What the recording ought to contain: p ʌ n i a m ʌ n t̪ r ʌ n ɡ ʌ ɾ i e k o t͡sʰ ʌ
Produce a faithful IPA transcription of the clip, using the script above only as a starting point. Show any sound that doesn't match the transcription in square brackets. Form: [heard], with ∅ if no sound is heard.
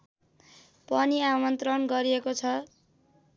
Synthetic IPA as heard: p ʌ n i a m ʌ n t̪ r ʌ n ɡ ʌ ɾ i e k o t͡sʰ ʌ